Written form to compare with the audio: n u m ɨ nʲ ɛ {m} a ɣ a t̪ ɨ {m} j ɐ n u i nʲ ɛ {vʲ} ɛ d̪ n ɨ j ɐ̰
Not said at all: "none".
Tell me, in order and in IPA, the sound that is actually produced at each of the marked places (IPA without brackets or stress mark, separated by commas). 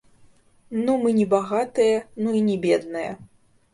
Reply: b, none, bʲ